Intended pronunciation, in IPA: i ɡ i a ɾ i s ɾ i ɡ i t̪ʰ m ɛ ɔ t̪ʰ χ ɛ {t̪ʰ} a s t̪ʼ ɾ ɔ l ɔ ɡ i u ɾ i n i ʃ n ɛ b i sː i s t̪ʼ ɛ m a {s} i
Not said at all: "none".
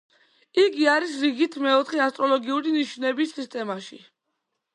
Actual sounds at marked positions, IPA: none, ʃ

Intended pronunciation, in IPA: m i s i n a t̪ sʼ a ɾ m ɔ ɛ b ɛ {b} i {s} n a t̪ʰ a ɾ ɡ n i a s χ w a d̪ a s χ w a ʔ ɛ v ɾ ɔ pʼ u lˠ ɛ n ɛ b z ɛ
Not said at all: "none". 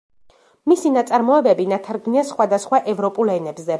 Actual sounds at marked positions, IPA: b, none

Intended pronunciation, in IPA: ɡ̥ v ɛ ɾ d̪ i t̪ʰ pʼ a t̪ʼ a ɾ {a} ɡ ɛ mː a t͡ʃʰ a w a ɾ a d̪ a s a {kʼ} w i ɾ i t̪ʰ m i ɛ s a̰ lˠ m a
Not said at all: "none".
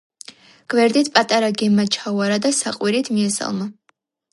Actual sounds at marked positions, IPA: a, qʼ

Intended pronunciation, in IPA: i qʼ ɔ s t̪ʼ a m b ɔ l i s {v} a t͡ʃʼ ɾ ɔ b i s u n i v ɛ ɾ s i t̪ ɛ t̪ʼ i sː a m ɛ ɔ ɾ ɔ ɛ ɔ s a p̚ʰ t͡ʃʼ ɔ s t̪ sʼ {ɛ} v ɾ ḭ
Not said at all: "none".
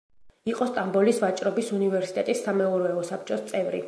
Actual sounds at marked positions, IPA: v, ɛ

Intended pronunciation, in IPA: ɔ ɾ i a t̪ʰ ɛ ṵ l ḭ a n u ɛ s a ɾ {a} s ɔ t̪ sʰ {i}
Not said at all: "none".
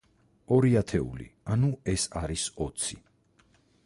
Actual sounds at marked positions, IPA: i, i

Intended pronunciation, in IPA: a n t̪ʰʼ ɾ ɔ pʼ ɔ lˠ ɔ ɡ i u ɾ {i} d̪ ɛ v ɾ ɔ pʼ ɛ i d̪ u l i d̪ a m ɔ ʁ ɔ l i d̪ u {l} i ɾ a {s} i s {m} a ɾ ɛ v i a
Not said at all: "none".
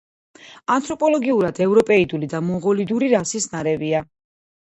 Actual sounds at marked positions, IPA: a, ɾ, s, n

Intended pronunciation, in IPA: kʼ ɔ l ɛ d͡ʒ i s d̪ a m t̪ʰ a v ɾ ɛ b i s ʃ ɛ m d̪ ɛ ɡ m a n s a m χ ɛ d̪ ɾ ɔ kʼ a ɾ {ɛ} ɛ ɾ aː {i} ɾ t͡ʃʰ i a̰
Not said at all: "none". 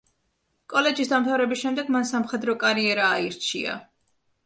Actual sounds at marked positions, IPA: i, i

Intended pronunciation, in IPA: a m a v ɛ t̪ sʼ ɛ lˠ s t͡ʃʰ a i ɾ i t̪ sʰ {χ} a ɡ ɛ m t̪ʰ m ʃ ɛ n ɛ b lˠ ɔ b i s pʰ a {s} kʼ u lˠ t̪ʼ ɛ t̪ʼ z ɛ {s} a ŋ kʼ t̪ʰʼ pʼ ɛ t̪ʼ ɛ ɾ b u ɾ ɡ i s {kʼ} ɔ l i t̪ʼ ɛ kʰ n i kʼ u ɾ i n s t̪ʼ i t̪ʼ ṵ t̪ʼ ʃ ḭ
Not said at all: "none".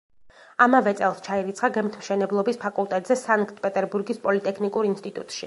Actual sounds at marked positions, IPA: χ, none, s, pʼ

